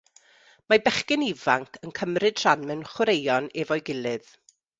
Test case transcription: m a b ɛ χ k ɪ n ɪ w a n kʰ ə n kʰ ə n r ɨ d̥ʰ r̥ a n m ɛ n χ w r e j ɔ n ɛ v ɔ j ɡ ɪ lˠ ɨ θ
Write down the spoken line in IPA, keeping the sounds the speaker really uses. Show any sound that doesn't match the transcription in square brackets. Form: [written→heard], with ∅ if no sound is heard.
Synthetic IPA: m a b ɛ χ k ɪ n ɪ [w→v] a [n→ŋ] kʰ ə n kʰ ə [n→m] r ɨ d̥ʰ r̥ a n m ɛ n χ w [r→ɾ] e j ɔ n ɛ v ɔ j ɡ ɪ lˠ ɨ [θ→ð]